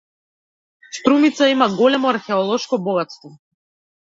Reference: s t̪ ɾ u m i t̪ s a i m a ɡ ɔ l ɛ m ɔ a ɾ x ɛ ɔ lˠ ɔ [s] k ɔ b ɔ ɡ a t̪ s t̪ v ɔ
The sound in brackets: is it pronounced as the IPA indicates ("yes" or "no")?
no